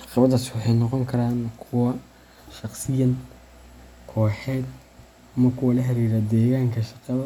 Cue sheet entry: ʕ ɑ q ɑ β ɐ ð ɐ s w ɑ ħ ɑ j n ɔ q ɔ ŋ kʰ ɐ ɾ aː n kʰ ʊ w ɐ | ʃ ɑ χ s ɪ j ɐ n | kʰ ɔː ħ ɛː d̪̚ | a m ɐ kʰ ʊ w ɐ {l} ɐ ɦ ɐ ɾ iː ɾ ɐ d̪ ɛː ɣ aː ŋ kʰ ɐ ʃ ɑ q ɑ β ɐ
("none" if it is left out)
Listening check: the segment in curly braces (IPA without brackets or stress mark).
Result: l